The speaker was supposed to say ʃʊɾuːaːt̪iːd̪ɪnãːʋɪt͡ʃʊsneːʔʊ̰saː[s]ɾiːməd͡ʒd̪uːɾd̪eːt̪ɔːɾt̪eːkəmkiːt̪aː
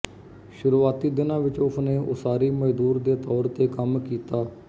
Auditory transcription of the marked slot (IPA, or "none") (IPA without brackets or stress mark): none